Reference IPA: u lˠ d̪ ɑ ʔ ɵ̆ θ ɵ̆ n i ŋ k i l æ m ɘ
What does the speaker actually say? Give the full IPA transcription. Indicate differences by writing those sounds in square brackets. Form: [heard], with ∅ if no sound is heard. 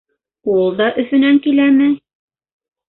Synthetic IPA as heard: u lˠ d̪ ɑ ʔ ɵ̆ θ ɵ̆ n [æ] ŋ k i l æ m ɘ